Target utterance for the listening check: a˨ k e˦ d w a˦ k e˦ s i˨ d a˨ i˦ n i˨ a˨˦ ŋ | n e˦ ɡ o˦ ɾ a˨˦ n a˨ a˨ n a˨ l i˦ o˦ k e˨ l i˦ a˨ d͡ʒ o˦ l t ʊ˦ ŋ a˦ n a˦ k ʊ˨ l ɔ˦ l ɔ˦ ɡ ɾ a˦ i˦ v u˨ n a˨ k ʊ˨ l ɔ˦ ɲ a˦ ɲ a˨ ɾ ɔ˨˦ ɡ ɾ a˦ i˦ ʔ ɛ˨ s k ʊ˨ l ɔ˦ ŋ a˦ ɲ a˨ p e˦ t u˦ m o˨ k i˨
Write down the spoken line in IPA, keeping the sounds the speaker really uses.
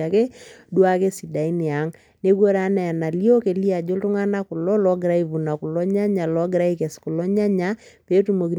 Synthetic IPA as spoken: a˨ k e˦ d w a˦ k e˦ s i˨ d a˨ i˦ n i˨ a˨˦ ŋ | n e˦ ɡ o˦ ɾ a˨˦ n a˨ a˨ n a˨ l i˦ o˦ k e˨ l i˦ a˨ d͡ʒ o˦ l t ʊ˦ ŋ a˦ n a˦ k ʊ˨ l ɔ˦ l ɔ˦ ɡ ɾ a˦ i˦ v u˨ n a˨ k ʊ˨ l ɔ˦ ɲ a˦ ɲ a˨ l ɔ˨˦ ɡ ɾ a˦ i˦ k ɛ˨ s k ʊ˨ l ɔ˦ ɲ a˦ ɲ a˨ p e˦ t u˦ m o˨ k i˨